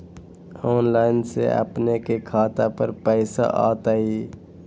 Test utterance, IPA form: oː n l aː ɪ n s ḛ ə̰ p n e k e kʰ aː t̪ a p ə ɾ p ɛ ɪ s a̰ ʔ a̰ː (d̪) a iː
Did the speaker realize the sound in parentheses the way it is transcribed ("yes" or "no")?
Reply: no